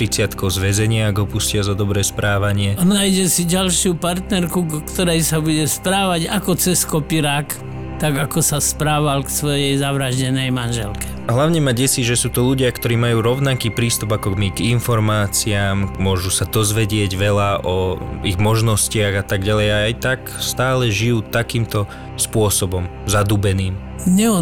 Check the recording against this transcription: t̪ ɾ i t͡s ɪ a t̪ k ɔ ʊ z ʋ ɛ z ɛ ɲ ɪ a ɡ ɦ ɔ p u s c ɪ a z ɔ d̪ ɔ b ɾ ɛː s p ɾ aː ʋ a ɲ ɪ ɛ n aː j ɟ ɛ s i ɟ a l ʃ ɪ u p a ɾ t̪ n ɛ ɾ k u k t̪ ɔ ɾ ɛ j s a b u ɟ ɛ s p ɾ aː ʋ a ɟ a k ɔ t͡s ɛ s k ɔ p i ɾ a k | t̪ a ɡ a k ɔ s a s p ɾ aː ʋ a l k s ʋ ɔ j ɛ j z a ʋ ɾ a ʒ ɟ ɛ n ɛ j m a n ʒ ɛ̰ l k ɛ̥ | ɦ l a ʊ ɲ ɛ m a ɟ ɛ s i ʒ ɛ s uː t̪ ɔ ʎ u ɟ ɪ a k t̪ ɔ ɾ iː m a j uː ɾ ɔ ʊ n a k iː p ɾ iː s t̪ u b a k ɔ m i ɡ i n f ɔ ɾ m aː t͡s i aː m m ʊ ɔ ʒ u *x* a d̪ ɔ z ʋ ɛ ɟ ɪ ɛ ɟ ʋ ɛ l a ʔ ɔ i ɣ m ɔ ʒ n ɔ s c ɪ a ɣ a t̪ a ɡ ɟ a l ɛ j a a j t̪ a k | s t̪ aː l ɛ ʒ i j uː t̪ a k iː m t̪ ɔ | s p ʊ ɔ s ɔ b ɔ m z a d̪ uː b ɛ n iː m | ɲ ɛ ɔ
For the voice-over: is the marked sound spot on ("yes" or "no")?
no